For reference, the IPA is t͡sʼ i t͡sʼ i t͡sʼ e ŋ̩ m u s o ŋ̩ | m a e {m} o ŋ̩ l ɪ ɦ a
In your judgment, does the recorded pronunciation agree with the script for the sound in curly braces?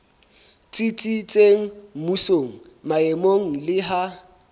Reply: yes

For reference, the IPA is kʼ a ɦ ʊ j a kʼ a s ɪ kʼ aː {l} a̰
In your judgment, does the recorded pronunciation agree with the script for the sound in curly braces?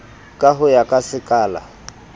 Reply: yes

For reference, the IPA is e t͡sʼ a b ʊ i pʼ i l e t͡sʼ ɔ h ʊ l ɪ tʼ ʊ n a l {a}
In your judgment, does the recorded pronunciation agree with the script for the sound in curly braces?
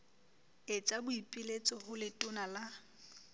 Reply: yes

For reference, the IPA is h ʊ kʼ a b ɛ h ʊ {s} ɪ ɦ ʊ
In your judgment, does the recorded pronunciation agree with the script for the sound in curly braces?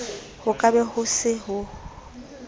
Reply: yes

